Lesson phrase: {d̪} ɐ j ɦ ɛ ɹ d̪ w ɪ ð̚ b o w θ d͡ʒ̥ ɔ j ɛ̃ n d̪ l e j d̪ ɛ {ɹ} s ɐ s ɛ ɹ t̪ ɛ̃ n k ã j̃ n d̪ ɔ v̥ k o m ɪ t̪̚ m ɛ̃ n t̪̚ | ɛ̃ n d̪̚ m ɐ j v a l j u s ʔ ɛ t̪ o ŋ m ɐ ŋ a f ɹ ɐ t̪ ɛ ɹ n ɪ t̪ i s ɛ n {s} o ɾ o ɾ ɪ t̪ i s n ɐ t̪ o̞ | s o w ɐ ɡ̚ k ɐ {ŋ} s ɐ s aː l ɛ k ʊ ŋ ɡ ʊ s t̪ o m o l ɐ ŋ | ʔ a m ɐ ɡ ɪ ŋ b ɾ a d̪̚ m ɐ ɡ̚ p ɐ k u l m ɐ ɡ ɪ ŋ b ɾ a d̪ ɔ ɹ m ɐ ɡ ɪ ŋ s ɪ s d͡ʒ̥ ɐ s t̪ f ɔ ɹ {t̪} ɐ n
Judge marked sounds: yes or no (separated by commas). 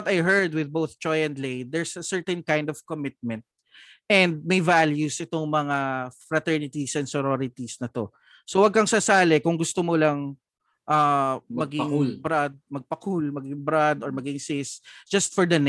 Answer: no, yes, yes, yes, no